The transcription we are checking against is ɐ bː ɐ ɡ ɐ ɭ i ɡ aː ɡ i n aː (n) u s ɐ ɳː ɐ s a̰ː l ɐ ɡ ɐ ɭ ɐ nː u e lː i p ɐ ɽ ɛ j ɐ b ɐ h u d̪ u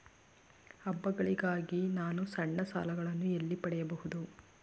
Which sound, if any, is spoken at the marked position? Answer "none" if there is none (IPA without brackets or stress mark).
n